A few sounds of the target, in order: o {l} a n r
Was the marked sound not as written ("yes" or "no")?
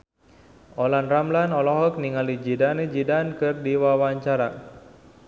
no